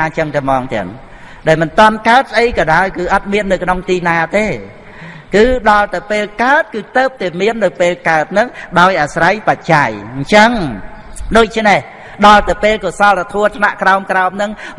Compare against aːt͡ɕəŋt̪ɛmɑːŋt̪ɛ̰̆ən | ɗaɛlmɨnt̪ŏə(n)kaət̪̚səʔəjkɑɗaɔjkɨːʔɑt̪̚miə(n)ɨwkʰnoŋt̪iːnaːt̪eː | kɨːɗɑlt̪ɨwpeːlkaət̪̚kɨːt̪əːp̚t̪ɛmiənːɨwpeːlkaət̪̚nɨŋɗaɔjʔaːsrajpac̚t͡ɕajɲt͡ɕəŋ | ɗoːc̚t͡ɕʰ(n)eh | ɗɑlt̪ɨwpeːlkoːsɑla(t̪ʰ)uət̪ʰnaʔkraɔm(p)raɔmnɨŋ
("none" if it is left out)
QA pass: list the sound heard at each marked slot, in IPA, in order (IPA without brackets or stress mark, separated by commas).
n, nː, n, t̪ʰ, k